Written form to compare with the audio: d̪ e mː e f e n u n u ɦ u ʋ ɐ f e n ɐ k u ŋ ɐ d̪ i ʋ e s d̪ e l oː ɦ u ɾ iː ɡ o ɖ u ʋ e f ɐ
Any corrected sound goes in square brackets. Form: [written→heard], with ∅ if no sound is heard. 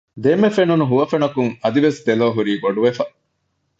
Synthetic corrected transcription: d̪ e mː e f e n u n u ɦ u ʋ ɐ f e n ɐ k u ŋ ɐ d̪ i ʋ e s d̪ e l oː ɦ u ɾ iː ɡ o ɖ u ʋ e f ɐ

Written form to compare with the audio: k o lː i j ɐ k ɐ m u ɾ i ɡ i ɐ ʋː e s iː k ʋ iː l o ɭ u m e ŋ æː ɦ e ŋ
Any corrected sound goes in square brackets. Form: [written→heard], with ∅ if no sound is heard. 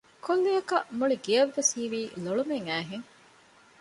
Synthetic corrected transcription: k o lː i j ɐ k ɐ m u [ɾ→ɭ] i ɡ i ɐ ʋː e s iː [k→∅] ʋ iː l o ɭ u m e ŋ æː ɦ e ŋ

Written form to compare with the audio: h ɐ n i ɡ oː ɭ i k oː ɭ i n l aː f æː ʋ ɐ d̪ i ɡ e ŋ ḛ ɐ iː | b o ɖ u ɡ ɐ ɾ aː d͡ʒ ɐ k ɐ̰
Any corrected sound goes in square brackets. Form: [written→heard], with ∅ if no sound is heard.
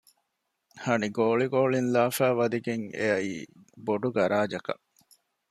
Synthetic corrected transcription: h ɐ n i ɡ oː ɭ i [k→ɡ] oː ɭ i n l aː f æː ʋ ɐ d̪ i ɡ e ŋ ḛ ɐ iː | b o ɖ u ɡ ɐ ɾ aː d͡ʒ ɐ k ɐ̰

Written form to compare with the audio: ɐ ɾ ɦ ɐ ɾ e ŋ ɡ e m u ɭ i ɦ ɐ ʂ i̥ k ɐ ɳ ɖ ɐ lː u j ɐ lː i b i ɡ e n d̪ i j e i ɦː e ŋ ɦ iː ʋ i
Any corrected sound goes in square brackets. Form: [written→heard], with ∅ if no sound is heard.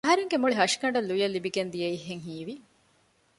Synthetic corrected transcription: ɐ [ɾ→∅] ɦ ɐ ɾ e ŋ ɡ e m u ɭ i ɦ ɐ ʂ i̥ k ɐ ɳ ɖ ɐ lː u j ɐ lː i b i ɡ e n d̪ i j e i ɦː e ŋ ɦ iː ʋ i

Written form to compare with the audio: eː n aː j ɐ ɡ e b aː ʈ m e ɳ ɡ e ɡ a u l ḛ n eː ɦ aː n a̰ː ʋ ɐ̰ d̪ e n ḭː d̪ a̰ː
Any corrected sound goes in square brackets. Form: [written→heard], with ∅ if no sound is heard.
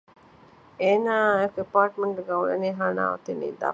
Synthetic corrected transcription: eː n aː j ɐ [ɡ→k] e [b→p] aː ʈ m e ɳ ɡ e ɡ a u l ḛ n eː ɦ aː n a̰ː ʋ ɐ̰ [d̪→t̪] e n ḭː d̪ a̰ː

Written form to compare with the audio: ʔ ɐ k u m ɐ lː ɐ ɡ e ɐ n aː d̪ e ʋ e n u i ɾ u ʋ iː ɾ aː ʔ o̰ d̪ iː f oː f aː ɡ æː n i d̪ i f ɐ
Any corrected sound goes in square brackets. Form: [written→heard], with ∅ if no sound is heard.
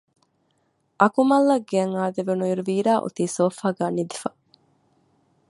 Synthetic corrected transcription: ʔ ɐ k u m ɐ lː ɐ ɡ e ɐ [n→ŋ] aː d̪ e ʋ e n u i ɾ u ʋ iː ɾ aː ʔ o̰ [d̪→t̪] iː [f→s] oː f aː ɡ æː n i d̪ i f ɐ

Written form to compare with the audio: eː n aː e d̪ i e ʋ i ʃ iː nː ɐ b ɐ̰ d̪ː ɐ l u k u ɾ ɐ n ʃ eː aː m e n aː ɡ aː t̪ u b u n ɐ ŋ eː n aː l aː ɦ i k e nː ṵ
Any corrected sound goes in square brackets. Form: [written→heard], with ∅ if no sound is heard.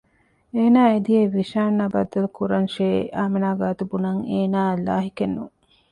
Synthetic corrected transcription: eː n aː e d̪ i e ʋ i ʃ [iː→aː] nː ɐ b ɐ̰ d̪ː ɐ l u k u ɾ ɐ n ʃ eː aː m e n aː ɡ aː t̪ u b u n ɐ ŋ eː n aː l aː ɦ i k e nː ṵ

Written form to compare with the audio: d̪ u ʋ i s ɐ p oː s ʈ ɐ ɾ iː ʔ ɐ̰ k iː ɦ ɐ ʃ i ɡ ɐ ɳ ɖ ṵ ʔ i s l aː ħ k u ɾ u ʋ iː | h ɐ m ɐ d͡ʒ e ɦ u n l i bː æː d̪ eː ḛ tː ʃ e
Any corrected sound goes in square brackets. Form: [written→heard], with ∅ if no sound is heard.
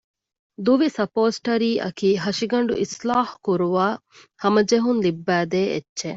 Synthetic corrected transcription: d̪ u ʋ i s ɐ p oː s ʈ ɐ ɾ iː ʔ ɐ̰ k iː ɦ ɐ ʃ i ɡ ɐ ɳ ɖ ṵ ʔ i s l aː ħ k u ɾ u ʋ [iː→aː] | h ɐ m ɐ d͡ʒ e ɦ u n l i bː æː d̪ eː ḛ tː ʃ e

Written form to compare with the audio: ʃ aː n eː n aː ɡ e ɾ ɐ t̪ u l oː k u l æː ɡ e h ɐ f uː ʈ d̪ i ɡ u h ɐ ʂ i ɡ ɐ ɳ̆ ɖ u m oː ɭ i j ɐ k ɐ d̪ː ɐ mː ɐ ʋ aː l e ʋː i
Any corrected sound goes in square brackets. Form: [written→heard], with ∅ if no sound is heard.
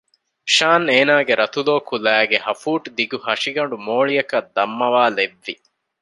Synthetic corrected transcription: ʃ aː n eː n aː ɡ e ɾ ɐ t̪ u l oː k u l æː ɡ e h ɐ f uː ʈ d̪ i ɡ u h ɐ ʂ i ɡ ɐ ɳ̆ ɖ u m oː ɭ i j ɐ k ɐ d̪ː ɐ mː ɐ ʋ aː l e ʋː i

